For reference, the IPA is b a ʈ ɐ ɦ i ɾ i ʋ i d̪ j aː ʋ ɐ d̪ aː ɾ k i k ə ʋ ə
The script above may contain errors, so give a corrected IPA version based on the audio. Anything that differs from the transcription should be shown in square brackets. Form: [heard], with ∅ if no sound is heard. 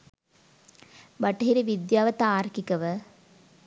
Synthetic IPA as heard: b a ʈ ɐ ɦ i ɾ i ʋ i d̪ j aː ʋ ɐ [t̪] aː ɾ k i k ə ʋ ə